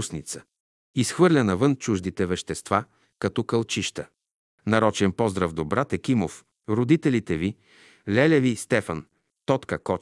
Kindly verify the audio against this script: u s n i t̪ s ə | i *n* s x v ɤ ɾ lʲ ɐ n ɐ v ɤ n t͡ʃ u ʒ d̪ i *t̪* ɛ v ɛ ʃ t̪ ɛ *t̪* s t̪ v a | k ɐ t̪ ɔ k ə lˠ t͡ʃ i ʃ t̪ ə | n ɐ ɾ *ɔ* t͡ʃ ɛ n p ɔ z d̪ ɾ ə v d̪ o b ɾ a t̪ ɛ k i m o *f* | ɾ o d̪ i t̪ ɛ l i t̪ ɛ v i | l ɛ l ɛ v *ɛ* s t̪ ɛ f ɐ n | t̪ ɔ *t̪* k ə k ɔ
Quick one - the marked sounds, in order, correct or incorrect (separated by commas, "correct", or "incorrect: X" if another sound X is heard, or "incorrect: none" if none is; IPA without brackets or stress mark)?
incorrect: none, correct, incorrect: none, correct, correct, incorrect: i, correct